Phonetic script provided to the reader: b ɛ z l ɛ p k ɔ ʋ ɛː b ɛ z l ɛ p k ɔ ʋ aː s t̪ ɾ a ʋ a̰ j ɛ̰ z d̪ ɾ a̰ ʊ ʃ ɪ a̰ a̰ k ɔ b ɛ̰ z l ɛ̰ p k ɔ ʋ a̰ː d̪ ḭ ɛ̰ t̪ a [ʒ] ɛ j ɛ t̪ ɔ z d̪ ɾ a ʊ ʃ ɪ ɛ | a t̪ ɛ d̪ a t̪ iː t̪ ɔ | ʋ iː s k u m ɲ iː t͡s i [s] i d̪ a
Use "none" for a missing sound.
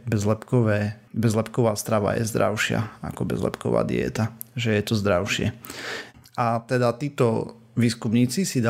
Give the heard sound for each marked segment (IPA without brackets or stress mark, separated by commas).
ʒ, s